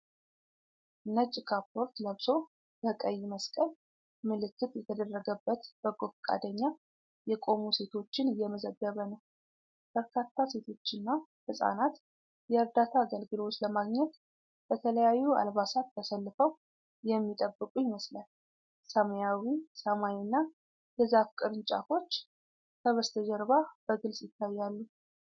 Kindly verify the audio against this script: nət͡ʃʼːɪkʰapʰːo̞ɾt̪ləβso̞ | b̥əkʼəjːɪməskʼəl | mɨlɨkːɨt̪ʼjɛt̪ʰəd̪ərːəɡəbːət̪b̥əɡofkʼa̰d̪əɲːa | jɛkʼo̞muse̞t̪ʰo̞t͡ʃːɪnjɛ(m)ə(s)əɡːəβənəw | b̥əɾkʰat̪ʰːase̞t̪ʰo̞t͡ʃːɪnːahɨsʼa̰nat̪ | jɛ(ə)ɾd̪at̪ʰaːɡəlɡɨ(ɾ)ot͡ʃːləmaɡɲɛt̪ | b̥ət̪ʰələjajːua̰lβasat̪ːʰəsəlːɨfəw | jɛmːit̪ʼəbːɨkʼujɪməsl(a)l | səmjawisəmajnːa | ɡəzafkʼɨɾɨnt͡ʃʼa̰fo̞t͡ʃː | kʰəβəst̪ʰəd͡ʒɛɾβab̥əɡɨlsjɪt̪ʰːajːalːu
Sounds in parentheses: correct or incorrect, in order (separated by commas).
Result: correct, incorrect, correct, incorrect, correct